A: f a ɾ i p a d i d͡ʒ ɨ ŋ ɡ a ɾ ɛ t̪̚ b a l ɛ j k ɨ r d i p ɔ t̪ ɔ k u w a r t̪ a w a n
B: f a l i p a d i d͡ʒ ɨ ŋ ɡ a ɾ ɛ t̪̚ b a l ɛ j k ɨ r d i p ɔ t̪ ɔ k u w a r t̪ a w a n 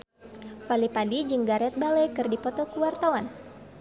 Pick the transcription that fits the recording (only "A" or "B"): B